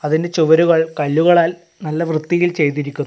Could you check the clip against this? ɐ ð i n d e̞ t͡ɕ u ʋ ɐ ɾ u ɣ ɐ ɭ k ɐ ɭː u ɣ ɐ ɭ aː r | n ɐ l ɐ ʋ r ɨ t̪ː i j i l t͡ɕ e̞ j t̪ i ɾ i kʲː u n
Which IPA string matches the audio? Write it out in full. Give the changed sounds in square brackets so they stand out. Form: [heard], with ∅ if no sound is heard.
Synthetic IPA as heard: ɐ ð i n d e̞ t͡ɕ u ʋ ɐ ɾ u ɣ ɐ ɭ k ɐ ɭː u ɣ ɐ ɭ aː [l] | n ɐ [lː] ɐ ʋ r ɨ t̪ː i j i l t͡ɕ e̞ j t̪ i ɾ i kʲː u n